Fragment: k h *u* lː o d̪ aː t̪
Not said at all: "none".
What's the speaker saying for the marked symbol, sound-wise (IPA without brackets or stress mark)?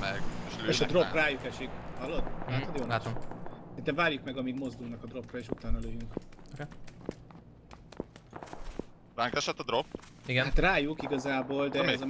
ɒ